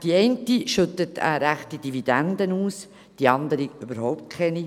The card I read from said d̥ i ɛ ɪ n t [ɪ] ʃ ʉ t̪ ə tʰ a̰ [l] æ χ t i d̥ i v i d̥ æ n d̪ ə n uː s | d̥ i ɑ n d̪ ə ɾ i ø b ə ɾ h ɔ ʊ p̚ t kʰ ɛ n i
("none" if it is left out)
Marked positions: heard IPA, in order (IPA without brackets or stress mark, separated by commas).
i, ɾ